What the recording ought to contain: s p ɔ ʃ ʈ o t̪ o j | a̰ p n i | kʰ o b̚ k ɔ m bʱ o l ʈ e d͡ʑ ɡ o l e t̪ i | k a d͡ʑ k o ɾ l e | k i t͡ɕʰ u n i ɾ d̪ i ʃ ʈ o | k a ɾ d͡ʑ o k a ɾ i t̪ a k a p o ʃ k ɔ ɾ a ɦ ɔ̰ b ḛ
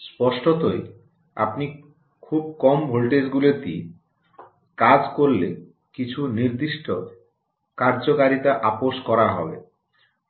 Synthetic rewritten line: s p ɔ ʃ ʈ o t̪ o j | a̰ p n i | kʰ u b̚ k ɔ m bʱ o l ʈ e d͡ʑ ɡ u l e t̪ i | k a d͡ʑ k o ɾ l e | k i t͡ɕʰ u n i ɾ d̪ i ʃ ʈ o | k a ɾ d͡ʑ o k a ɾ i t̪ a ʔ a p o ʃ k ɔ ɾ a ɦ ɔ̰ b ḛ

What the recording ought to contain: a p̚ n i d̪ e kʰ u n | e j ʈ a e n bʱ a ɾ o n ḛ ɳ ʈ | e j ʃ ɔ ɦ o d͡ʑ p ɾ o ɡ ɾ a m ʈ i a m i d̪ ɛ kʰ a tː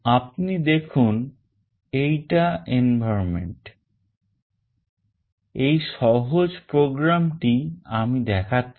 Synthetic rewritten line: a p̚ n i d̪ e kʰ u n | e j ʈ a e n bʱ a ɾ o m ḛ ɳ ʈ | e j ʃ ɔ ɦ o d͡ʑ p ɾ o ɡ ɾ a m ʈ i a m i d̪ ɛ kʰ a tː

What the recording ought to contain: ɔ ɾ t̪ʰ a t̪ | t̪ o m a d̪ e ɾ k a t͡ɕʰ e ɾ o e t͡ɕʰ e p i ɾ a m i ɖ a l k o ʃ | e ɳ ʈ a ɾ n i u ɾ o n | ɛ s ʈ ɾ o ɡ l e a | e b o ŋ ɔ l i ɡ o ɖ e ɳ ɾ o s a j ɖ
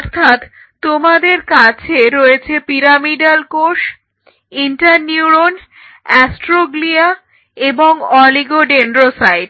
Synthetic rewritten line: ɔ ɾ t̪ʰ a t̪ | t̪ o m a d̪ e ɾ k a t͡ɕʰ e ɾ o e t͡ɕʰ e p i ɾ a m i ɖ a l k o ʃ | i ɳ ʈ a ɾ n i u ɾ o n | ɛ s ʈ ɾ o ɡ l i a | e b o ŋ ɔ l i ɡ o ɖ e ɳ ɾ o s a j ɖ

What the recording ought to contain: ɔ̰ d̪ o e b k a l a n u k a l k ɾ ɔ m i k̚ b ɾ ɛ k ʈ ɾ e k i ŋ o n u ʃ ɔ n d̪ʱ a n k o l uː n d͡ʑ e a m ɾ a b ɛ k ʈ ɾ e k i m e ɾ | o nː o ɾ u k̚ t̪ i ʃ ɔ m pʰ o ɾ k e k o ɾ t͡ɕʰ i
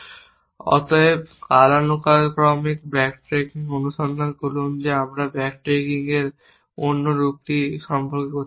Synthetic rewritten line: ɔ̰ t̪ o e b k a l a n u k a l k ɾ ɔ m i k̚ b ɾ ɛ k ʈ ɾ e k i ŋ o n u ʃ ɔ n d̪ʱ a n k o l u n d͡ʑ e a m ɾ a b ɛ k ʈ ɾ e k i ŋ e ɾ | o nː o ɾ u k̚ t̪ i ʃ ɔ m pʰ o ɾ k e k o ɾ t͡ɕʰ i

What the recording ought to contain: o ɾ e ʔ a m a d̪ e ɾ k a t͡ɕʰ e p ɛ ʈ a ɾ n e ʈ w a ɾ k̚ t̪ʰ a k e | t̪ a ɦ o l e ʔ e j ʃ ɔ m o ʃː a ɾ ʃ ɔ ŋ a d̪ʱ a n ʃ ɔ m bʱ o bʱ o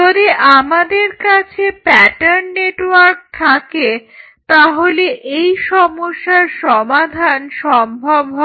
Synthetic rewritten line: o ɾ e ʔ a m a d̪ e ɾ k a t͡ɕʰ e p ɛ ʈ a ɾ nː e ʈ w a ɾ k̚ t̪ʰ a k e | t̪ a ɦ o l e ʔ e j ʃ ɔ m o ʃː a ɾ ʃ ɔ m a d̪ʱ a n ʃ ɔ m bʱ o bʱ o

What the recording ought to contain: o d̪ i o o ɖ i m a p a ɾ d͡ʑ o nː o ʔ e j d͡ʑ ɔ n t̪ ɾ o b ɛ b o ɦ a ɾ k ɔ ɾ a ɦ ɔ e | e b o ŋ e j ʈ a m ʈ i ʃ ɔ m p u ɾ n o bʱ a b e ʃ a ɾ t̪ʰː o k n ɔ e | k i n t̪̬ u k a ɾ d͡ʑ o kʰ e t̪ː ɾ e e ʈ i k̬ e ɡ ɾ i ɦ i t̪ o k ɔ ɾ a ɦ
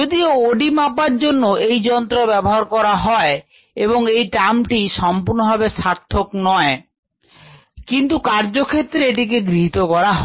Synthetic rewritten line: o d̪ i o o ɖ i m a p a ɾ d͡ʑ o nː o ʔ e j d͡ʑ ɔ n t̪ ɾ o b ɛ b o ɦ a ɾ k ɔ ɾ a ɦ ɔ e | e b o ŋ e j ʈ a m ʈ i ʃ ɔ m p u ɾ n o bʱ a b e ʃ a ɾ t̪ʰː o k n ɔ e | k i n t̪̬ u k a ɾ d͡ʑ o kʰ e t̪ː ɾ e e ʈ i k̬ e ɡ ɾ i ɦ i t̪ o k ɔ ɾ a ɦ

